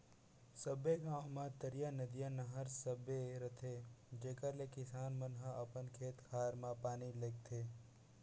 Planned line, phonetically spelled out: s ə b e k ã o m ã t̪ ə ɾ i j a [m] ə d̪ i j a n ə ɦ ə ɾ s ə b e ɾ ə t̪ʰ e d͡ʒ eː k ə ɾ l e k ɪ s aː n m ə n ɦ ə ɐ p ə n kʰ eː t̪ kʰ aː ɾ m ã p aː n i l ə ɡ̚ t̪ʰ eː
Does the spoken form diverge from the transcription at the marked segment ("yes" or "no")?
yes